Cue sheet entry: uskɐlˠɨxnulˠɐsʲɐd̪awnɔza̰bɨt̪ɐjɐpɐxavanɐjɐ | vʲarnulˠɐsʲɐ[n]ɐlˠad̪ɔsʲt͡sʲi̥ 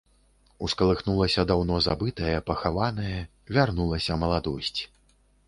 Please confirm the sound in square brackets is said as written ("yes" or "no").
no